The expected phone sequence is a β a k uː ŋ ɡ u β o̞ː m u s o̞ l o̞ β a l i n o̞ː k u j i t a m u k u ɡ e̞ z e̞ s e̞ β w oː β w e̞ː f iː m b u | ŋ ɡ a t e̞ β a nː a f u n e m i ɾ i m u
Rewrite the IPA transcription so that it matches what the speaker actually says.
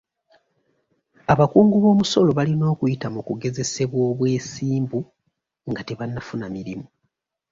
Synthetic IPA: a β a k uː ŋ ɡ u β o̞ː m u s o̞ l o̞ β a l i n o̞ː k u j i t a m u k u ɡ e̞ z e̞ s e̞ β w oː β w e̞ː s iː m b u | ŋ ɡ a t e̞ β a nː a f u n a m i ɾ i m u

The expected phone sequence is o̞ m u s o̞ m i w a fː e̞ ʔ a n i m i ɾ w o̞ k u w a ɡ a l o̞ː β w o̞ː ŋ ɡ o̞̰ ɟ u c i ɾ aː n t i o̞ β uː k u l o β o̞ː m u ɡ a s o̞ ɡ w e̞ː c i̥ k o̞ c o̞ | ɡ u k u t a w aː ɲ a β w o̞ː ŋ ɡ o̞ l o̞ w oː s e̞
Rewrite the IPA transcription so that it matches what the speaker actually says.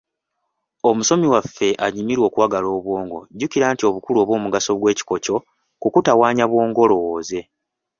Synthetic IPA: o̞ m u s o̞ m i w a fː e̞ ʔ a ɲ i m i ɾ w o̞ k u w a ɡ a l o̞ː β w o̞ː ŋ ɡ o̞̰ ɟ u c i ɾ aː n t i o̞ β u k u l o β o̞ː m u ɡ a s o̞ ɡ w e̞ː c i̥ k o̞ c o̞ | k u k u t a w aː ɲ a β w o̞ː ŋ ɡ o̞ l o̞ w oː z e̞

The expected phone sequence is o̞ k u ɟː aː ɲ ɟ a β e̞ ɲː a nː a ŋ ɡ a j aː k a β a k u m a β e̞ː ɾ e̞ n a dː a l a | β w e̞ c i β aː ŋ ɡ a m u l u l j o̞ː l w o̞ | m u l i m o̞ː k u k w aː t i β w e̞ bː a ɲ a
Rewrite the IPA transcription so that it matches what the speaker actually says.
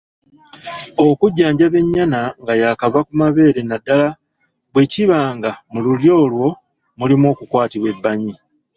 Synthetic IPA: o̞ k u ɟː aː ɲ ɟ a β e̞ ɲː a n a ŋ ɡ a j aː k a β a k u m a β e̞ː ɾ e̞ n a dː a l a | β w e̞ c i β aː ŋ ɡ a m u l u l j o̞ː l w o̞ | m u l i m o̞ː k u k w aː t i β w e̞ bː a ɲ i

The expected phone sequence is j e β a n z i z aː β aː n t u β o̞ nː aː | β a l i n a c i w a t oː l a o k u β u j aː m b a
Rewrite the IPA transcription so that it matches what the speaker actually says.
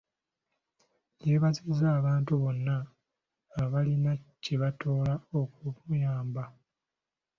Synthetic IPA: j e β a z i z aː β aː n t u β o̞ nː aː | β a l i n a c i β a t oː l a o k u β u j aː m b a

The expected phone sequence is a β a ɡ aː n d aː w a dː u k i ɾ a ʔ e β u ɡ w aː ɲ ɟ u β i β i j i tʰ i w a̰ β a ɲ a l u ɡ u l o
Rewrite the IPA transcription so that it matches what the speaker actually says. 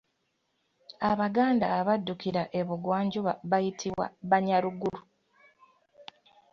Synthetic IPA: a β a ɡ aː n d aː β a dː u k i ɾ a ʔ e β u ɡ w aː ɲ ɟ u β a β a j i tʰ i w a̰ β a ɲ a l u ɡ u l u

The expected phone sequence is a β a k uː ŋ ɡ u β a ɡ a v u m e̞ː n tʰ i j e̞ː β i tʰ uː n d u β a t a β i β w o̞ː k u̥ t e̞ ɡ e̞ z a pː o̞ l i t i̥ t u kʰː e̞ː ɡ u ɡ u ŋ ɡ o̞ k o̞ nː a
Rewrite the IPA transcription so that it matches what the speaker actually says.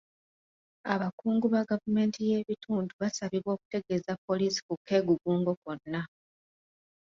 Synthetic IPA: a β a k uː ŋ ɡ u β a ɡ a v u m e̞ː n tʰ i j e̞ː β i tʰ uː n d u β a s a β i β w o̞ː k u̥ t e̞ ɡ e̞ z a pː o̞ l i s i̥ k u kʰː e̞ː ɡ u ɡ uː ŋ ɡ o̞ k o̞ nː a

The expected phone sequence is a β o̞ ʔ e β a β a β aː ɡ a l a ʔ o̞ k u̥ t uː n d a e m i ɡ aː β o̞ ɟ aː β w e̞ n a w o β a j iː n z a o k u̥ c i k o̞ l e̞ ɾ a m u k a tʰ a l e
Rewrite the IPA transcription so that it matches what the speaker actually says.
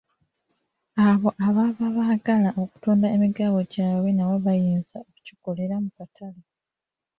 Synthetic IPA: a β o̞ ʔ a β a β a β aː ɡ a l a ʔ o̞ k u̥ t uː n d a e m i ɡ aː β o̞ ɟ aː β w e̞ n a w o β a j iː n z a o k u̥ c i k o̞ l e̞ ɾ a m u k a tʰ a l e

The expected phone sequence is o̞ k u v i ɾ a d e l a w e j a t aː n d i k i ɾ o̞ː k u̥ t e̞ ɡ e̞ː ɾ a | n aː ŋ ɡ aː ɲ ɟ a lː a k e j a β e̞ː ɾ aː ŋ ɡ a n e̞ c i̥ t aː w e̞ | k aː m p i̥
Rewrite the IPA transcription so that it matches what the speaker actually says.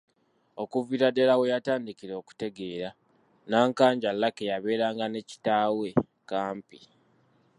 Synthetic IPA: o̞ k u v i ɾ a d e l a w e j a t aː n d i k i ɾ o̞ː k u̥ t e̞ ɡ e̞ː ɾ a | n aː ŋ k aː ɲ ɟ a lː a k e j a β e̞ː ɾ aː ŋ ɡ a n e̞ c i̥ t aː w e̞ | k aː m p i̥

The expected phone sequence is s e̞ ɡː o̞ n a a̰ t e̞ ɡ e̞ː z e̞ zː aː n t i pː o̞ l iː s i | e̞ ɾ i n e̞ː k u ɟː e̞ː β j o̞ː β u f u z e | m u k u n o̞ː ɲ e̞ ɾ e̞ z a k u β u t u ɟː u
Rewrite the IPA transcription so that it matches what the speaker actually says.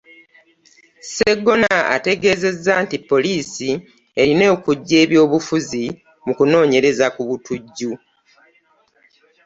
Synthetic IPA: s e̞ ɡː o̞ n a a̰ t e̞ ɡ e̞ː z e̞ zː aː n t i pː o̞ l iː s i | e̞ ɾ i n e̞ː k u ɟː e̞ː β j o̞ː β u f u z i | m u k u n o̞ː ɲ e̞ ɾ e̞ z a k u β u t u ɟː u

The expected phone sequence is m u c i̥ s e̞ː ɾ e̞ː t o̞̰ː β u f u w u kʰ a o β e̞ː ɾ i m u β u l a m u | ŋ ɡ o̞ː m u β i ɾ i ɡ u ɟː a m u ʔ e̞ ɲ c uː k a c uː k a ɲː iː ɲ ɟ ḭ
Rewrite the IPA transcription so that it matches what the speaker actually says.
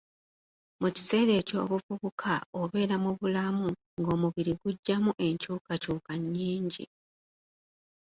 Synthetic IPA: m u c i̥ s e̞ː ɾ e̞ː c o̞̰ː β u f u β u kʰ a o β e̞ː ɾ a m u β u l a m u | ŋ ɡ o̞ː m u β i ɾ i ɡ u ɟː a m u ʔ e̞ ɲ c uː k a c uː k a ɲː iː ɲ ɟ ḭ

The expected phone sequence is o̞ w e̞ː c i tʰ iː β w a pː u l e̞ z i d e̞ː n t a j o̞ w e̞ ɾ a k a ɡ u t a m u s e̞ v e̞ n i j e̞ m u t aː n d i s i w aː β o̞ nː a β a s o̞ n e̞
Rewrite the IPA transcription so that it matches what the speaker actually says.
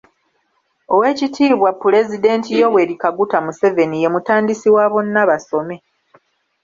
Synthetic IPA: o̞ w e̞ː c i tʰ iː β w a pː u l e̞ z i d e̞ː n t i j o̞ w e̞ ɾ i k a ɡ u t a m u s e̞ v e̞ n i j e̞ m u t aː n d i s i w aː β o̞ nː a β a s o̞ m e̞

